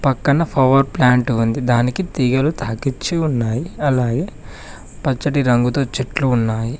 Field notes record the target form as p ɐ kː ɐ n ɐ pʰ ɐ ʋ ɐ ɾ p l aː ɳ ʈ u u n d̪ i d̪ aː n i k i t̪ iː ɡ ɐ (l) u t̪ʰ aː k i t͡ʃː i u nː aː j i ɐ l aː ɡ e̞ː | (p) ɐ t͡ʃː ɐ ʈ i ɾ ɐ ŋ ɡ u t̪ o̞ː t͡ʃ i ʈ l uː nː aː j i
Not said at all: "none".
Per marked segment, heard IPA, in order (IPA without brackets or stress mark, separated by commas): l, p